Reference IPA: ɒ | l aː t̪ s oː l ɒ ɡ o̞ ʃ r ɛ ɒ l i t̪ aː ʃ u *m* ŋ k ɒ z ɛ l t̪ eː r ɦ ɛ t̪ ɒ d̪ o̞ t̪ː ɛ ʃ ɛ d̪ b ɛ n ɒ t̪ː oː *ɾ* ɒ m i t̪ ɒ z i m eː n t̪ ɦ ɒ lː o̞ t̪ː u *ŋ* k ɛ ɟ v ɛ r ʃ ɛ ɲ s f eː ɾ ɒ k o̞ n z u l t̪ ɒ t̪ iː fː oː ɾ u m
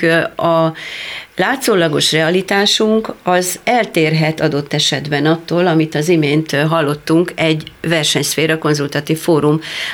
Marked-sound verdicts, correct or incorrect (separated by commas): incorrect, incorrect, correct